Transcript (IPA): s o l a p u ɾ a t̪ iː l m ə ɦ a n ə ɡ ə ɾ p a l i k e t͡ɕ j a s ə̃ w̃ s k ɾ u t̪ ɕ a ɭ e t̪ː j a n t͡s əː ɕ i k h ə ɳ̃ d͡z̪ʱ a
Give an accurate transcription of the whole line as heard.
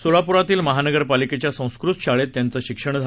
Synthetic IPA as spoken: s o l a p u ɾ a t̪ iː l m ə ɦ a n ə ɡ ə ɾ p a l i k e t͡ɕ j a s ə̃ w̃ s k ɾ u t̪ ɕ a ɭ e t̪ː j a n t͡s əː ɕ i k ʂ ə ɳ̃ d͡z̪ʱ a